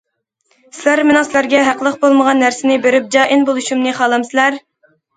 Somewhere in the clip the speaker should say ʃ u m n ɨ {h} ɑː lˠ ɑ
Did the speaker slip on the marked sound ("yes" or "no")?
yes